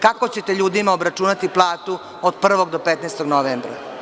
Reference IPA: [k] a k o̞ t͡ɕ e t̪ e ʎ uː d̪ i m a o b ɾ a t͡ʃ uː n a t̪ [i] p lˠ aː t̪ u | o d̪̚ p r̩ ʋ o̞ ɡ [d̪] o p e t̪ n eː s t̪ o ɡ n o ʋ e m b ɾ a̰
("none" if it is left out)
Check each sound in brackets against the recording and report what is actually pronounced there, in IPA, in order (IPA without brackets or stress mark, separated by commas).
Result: k, i, d̪